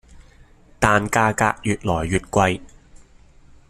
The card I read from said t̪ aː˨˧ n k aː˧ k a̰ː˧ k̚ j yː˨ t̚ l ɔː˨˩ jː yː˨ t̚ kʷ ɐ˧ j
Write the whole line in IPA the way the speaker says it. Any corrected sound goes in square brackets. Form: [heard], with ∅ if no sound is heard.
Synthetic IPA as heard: t̪ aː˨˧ n k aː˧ k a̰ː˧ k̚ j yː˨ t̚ l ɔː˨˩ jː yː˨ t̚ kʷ ɐ˧ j